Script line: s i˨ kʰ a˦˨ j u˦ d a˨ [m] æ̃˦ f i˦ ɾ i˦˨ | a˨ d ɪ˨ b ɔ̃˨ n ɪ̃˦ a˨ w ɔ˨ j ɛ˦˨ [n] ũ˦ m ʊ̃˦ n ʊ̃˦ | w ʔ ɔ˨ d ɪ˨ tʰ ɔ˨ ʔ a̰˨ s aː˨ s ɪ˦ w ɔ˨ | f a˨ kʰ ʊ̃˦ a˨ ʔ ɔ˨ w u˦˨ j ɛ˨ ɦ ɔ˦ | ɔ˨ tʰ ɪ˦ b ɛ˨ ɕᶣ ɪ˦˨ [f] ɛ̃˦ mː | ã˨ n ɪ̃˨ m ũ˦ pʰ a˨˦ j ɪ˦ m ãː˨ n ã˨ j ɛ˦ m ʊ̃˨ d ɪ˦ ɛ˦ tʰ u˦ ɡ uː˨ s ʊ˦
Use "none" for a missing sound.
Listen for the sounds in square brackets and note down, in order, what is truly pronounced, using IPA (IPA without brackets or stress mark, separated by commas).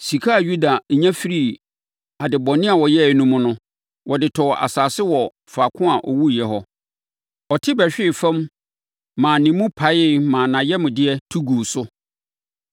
ɲ, n, f